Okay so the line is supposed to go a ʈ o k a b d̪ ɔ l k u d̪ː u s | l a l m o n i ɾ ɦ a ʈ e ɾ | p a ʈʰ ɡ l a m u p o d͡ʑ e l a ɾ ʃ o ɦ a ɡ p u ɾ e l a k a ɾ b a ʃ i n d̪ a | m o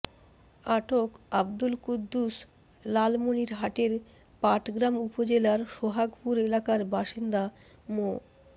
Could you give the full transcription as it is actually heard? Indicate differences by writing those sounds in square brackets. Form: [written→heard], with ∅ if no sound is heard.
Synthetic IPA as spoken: a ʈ o k a b d̪ [ɔ→u] l k u d̪ː u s | l a l m o n i ɾ ɦ a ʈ e ɾ | p a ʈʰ ɡ [l→ɾ] a m u p o d͡ʑ e l a ɾ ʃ o ɦ a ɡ p u ɾ e l a k a ɾ b a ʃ i n d̪ a | m o